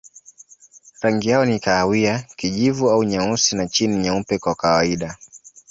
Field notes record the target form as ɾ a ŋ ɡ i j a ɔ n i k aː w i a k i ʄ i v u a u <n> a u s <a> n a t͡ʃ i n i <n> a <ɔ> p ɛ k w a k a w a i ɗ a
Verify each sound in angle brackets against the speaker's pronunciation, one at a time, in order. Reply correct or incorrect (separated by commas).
incorrect, incorrect, incorrect, incorrect